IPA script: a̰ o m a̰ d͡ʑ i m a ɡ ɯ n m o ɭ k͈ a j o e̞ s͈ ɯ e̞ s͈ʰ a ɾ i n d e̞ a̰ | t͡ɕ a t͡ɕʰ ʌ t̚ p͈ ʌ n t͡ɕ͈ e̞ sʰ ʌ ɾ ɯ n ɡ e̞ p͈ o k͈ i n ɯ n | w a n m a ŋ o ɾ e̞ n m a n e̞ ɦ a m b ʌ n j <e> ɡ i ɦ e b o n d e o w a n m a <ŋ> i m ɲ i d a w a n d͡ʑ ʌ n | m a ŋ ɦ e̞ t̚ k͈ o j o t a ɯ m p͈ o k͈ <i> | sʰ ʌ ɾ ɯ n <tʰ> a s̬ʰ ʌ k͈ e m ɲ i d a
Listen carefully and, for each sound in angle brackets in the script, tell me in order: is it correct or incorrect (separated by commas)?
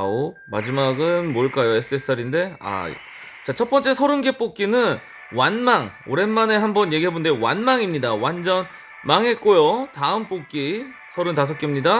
correct, correct, correct, incorrect